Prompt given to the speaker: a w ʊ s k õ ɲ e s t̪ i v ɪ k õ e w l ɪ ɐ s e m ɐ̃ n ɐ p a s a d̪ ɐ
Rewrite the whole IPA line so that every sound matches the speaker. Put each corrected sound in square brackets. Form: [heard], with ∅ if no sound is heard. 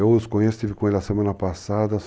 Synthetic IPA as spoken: [e] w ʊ s k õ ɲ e s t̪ i v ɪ k õ e [∅] l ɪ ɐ s e m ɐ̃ n ɐ p a s a d̪ ɐ